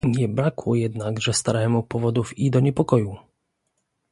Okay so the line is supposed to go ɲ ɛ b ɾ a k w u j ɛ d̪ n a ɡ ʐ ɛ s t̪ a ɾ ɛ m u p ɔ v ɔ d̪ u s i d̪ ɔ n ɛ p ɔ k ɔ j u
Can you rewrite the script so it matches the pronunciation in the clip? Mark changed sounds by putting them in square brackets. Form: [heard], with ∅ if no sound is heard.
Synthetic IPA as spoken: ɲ ɛ b ɾ a k w [ɔ] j ɛ d̪ n a ɡ ʐ ɛ s t̪ a ɾ ɛ m u p ɔ v ɔ d̪ u [f] i d̪ ɔ [ɲ] ɛ p ɔ k ɔ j u